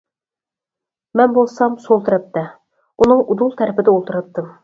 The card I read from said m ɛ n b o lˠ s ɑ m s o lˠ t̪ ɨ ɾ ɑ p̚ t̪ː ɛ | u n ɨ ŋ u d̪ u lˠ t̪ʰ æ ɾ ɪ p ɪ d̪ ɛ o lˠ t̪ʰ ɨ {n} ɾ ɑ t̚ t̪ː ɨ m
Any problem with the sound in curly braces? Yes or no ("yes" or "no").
yes